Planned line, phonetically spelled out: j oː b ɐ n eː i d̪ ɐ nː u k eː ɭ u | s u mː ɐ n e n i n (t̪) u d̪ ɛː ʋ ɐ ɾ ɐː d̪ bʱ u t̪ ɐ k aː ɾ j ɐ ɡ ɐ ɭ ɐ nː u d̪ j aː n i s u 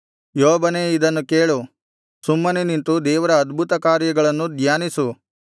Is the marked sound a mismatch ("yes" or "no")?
no